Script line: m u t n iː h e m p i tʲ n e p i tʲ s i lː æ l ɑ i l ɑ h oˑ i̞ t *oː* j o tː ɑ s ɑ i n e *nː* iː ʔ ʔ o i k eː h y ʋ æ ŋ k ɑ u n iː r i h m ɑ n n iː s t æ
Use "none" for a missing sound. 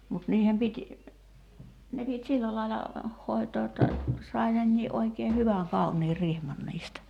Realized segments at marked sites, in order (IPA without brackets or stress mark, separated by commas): oː, nː